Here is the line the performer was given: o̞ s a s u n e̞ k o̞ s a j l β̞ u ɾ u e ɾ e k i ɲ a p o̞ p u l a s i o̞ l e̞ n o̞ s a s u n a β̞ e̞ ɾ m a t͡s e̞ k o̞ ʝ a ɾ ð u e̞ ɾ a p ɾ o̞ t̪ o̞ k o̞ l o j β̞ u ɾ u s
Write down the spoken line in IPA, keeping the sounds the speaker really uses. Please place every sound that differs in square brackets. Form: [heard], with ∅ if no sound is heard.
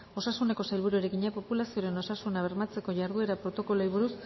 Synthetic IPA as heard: o̞ s a s u n e̞ k o̞ s a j l β̞ u ɾ u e ɾ e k i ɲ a p o̞ p u l a s i o̞ [ɾ] e̞ n o̞ s a s u n a β̞ e̞ ɾ m a t͡s e̞ k o̞ ʝ a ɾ ð u e̞ ɾ a p ɾ o̞ t̪ o̞ k o̞ l o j β̞ u ɾ u s